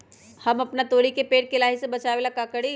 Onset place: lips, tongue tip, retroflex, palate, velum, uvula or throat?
throat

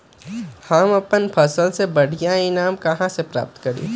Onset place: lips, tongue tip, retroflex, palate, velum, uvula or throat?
throat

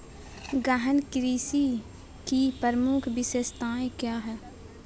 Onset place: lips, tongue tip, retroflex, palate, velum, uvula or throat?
velum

